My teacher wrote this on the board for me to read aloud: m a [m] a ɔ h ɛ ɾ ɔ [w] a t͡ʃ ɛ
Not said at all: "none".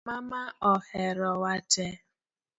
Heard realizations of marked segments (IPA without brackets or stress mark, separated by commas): m, w